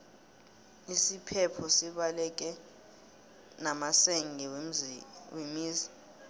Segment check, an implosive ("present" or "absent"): present